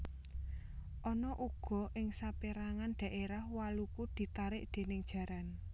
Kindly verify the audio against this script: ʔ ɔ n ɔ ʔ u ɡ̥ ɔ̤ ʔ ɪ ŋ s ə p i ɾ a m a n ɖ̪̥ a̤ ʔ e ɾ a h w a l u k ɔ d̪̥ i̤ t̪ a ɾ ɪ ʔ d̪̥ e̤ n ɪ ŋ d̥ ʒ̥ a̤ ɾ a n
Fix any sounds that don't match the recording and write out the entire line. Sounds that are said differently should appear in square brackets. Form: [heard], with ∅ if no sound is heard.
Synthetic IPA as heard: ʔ ɔ n ɔ ʔ u ɡ̥ ɔ̤ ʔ ɪ ŋ s [a] p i ɾ a [ŋ] a n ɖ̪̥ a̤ ʔ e ɾ a h w a l u k [u] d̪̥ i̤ t̪ a ɾ ɪ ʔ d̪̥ e̤ n ɪ ŋ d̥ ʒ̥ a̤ ɾ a n